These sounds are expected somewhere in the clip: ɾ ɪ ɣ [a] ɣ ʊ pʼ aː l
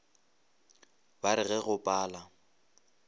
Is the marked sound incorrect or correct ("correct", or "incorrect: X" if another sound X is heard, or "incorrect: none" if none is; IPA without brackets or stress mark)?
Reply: incorrect: ɛ